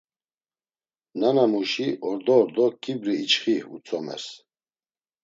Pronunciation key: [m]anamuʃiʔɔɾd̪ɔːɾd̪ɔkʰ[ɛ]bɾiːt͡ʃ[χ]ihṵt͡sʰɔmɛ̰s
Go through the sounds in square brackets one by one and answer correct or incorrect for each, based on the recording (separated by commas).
incorrect, incorrect, correct